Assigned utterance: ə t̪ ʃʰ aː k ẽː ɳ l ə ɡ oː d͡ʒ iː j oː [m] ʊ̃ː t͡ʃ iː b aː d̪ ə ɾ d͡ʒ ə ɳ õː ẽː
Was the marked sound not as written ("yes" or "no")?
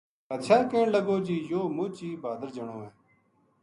no